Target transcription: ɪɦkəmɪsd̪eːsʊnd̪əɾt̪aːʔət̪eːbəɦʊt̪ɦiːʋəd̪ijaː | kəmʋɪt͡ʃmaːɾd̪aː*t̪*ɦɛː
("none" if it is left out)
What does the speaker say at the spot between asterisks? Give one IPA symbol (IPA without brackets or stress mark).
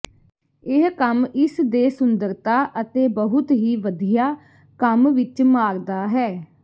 none